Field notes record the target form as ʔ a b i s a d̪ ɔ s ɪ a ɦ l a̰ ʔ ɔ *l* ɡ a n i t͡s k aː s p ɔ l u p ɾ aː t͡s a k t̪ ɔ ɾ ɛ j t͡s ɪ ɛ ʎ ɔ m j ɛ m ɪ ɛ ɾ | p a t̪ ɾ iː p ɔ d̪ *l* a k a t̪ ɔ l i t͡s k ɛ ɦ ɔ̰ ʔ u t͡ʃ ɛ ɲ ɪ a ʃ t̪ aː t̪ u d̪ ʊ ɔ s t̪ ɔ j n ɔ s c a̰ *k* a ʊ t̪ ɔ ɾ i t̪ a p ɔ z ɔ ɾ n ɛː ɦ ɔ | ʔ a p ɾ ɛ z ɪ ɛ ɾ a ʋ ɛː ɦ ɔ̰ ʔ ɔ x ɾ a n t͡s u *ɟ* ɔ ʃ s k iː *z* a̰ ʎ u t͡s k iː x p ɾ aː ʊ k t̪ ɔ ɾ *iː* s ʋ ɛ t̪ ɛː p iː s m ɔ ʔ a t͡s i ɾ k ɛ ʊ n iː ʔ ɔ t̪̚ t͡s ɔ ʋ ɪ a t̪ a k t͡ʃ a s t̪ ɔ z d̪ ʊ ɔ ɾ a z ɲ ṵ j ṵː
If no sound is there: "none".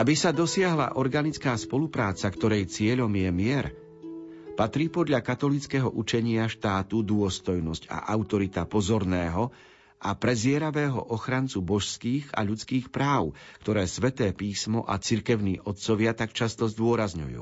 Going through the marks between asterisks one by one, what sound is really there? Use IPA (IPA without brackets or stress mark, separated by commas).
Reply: ɾ, ʎ, ʔ, b, ɣ, ɛː